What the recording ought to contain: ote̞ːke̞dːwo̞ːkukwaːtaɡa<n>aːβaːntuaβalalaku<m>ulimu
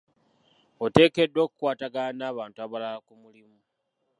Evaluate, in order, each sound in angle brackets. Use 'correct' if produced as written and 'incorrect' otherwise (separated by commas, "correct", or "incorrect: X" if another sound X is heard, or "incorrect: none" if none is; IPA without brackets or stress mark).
correct, correct